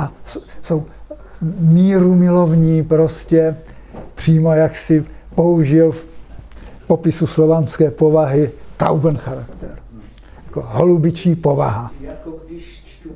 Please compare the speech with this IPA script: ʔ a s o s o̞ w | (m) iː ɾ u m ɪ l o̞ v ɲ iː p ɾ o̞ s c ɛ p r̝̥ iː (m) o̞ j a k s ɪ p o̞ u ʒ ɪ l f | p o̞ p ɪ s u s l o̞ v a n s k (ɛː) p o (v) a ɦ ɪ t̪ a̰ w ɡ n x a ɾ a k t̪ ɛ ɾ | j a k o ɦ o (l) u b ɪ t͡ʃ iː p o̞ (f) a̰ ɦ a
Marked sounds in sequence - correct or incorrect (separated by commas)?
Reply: correct, correct, correct, correct, correct, incorrect